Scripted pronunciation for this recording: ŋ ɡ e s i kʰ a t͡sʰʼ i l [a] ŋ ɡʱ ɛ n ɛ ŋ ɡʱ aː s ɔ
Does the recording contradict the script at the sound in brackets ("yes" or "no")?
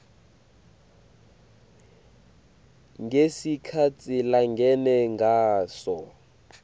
no